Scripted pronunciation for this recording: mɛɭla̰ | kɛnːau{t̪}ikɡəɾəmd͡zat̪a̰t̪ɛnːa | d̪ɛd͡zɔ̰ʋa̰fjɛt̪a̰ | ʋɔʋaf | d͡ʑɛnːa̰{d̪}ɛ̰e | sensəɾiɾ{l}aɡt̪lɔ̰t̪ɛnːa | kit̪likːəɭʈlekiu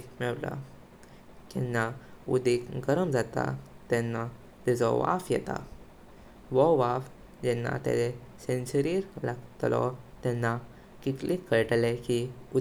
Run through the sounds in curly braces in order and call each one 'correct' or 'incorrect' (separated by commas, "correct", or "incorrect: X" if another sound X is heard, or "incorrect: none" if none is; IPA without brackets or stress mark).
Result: incorrect: d̪, incorrect: t̪, correct